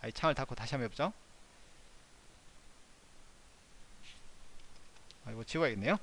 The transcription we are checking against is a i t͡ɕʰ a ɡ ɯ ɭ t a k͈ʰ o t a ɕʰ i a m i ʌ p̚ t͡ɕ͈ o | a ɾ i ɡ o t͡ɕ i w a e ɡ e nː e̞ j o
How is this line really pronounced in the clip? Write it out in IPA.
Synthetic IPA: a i t͡ɕʰ a ŋ ɯ ɭ t a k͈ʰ o t a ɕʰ i a m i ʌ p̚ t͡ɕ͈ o | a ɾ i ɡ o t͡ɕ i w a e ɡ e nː e̞ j o

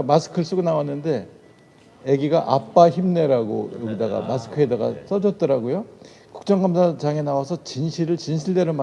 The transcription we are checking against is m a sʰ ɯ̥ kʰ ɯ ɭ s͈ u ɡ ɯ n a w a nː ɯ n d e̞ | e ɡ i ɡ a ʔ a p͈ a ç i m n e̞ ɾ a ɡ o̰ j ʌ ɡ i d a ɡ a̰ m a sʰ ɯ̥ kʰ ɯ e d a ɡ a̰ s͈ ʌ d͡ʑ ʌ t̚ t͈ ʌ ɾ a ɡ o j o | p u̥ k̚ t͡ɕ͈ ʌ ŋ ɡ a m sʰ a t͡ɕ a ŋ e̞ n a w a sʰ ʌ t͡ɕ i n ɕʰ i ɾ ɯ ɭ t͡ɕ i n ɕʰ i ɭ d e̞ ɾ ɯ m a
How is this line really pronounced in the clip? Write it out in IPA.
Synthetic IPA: m a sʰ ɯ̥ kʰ ɯ ɭ s͈ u ɡ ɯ n a w a nː ɯ n d e̞ | e ɡ i ɡ a ʔ a p͈ a ç i m n e̞ ɾ a ɡ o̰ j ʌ ɡ i d a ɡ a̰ m a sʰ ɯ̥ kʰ ɯ e d a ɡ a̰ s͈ ʌ d͡ʑ ʌ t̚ t͈ ʌ ɾ a ɡ o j o | k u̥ k̚ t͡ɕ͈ ʌ ŋ ɡ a m sʰ a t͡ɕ a ŋ e̞ n a w a sʰ ʌ t͡ɕ i n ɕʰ i ɾ ɯ ɭ t͡ɕ i n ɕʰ i ɭ d e̞ ɾ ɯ m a

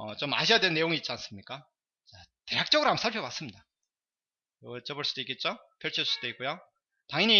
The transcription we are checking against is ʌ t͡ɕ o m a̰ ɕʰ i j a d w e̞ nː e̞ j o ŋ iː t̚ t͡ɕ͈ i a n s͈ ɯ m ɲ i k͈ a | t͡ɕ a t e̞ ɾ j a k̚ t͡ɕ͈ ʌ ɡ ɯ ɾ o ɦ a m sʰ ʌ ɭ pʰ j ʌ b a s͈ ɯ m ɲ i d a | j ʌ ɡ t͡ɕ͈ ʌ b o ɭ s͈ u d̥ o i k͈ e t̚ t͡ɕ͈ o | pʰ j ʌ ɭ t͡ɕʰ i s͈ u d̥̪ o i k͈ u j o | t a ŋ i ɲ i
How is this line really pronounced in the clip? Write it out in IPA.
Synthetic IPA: ʌ t͡ɕ o m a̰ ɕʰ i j a d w e̞ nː e̞ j o ŋ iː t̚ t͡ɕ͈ i a n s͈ ɯ m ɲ i k͈ a | t͡ɕ a t e̞ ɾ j a k̚ t͡ɕ͈ ʌ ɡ ɯ ɾ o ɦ a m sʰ a ɭ pʰ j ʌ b a s͈ ɯ m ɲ i d a | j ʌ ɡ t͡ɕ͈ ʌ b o ɭ s͈ u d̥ o i k͈ e t̚ t͡ɕ͈ o | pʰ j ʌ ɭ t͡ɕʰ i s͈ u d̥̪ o i k͈ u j o | t a ŋ i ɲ i

